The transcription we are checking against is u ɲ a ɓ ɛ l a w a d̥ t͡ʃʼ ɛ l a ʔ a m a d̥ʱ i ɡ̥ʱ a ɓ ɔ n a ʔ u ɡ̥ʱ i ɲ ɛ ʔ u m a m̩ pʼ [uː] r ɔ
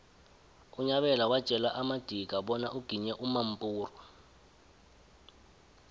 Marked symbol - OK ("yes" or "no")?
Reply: yes